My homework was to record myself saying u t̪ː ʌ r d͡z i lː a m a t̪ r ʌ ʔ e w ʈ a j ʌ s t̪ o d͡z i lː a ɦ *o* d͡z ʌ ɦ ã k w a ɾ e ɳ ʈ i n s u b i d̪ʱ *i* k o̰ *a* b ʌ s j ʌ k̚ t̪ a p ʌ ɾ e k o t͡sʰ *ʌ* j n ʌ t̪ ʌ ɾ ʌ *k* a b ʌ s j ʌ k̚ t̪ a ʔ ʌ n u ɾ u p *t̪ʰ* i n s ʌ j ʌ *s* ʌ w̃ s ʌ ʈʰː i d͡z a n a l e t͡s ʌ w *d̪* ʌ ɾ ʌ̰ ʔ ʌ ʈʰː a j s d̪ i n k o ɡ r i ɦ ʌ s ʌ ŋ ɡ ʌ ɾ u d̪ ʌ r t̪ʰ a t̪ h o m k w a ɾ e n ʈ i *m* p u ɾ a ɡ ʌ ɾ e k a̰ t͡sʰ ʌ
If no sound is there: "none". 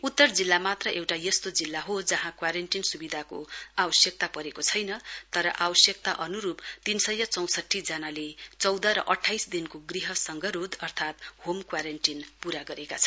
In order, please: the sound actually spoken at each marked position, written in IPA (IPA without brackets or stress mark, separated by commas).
o, a, a, ʌ, ʔ, t̪, t͡s, d̪, n